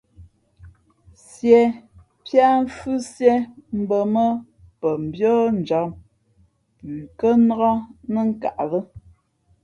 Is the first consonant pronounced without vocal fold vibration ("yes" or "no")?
yes